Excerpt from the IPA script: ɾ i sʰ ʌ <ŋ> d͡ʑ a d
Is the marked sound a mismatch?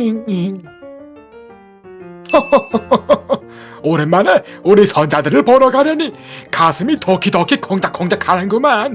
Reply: yes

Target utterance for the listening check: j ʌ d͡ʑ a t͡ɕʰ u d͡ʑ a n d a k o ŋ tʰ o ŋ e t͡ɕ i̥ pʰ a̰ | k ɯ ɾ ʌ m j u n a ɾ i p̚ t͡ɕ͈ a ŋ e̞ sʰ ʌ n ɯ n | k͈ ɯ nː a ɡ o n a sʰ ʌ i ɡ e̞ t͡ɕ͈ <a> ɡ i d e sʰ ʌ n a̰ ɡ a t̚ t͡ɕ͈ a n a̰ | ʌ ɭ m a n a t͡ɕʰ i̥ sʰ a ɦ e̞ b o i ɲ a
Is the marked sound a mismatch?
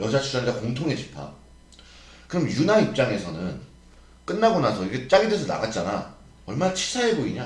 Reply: no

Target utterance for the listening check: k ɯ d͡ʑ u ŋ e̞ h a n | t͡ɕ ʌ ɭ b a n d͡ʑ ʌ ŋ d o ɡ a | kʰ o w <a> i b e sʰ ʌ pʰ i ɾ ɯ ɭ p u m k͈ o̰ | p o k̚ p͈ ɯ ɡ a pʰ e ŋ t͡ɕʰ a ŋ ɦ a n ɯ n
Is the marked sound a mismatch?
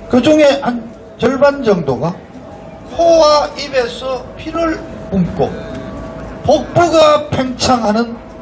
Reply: no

